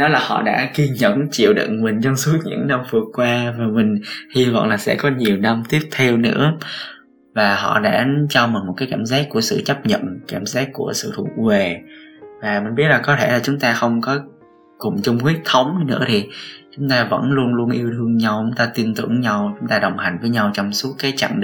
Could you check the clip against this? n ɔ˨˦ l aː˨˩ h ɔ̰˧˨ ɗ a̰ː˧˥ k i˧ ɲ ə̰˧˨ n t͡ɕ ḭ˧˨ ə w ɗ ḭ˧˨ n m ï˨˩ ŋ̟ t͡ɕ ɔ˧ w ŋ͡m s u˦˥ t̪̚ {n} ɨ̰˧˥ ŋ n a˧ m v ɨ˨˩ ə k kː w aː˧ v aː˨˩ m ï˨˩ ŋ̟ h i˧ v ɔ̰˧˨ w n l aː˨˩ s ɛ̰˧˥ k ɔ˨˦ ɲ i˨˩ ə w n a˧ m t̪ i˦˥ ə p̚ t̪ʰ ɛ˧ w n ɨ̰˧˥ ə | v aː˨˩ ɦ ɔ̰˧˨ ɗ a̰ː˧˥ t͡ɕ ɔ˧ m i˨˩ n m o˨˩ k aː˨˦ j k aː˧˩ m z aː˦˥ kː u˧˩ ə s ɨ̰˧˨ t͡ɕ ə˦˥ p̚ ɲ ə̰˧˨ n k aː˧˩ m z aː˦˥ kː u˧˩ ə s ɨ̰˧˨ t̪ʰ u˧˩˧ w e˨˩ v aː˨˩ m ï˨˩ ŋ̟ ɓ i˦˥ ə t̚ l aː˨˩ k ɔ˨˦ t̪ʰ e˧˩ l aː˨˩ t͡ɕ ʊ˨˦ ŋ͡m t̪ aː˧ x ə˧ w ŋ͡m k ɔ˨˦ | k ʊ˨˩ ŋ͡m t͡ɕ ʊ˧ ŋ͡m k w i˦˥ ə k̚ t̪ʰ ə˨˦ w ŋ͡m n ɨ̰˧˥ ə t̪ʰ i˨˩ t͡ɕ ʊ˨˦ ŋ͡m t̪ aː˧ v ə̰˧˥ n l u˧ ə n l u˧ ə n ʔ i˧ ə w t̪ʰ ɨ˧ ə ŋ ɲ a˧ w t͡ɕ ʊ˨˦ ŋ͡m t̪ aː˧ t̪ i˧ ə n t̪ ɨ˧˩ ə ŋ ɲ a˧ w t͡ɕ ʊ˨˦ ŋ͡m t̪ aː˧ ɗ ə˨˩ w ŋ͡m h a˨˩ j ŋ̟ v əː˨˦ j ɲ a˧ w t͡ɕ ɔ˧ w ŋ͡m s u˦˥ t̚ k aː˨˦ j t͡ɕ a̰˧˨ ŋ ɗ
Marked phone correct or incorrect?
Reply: incorrect